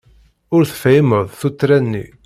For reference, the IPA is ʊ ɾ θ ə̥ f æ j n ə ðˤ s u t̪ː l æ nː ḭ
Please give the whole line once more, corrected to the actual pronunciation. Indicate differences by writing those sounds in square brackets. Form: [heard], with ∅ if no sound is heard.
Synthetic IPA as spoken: ʊ ɾ θ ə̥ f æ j [m] ə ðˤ [θ] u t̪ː [ɾ] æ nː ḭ